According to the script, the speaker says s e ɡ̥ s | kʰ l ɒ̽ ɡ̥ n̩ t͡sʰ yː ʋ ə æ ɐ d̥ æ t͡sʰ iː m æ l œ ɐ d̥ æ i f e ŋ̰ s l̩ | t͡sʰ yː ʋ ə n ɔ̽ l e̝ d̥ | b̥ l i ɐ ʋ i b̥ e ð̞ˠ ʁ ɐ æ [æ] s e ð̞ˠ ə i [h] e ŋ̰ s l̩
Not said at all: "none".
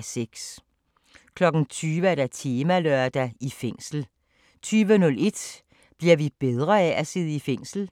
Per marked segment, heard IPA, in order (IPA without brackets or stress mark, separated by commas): æ, f